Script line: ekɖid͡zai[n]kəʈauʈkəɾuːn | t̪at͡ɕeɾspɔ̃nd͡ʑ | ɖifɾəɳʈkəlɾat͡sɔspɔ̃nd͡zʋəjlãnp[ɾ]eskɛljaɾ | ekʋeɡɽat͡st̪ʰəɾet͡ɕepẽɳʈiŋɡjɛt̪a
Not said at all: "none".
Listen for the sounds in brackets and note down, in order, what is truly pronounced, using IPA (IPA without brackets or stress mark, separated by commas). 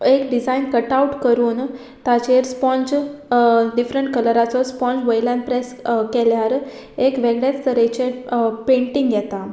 n, ɾ